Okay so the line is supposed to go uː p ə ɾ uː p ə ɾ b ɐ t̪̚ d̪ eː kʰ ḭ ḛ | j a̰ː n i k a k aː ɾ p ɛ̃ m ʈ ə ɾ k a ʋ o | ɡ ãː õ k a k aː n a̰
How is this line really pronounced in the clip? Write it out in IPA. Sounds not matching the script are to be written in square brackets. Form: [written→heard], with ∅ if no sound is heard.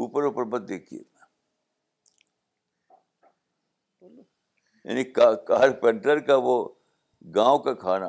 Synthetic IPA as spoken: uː p ə ɾ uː p ə ɾ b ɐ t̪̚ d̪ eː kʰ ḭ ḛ | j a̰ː n i k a k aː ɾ p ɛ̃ [m→ɳ] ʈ ə ɾ k a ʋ o | ɡ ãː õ k a [k→kʰ] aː n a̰